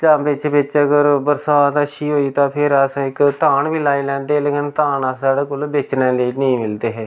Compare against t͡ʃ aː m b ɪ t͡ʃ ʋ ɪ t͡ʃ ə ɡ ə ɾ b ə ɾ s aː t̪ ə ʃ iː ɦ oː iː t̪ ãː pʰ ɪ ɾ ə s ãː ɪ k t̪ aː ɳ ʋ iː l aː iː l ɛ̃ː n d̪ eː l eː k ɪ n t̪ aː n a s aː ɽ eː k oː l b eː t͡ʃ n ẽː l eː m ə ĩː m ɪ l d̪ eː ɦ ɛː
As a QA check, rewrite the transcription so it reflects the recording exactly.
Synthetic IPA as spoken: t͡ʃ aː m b ɪ t͡ʃ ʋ ɪ t͡ʃ ə ɡ ə ɾ b ə ɾ s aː t̪ ə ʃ iː ɦ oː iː t̪ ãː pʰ ɪ ɾ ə s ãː ɪ k t̪ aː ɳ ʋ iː l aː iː l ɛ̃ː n d̪ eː l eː k ɪ n t̪ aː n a s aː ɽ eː k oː l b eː t͡ʃ n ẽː l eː n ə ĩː m ɪ l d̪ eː ɦ ɛː